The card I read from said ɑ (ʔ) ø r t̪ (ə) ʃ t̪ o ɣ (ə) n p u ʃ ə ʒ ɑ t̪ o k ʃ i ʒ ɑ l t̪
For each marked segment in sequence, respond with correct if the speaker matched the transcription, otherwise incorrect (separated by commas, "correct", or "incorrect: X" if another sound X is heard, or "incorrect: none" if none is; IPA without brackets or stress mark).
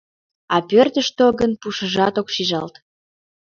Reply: incorrect: p, correct, correct